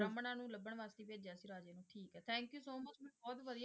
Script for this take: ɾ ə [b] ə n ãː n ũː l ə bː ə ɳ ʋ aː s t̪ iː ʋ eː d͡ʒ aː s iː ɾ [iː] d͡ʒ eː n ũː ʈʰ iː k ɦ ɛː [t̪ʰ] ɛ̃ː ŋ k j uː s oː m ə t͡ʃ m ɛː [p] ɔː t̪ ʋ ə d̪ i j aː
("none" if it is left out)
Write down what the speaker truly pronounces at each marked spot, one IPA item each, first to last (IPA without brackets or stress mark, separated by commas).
m, aː, t̪ʰ, b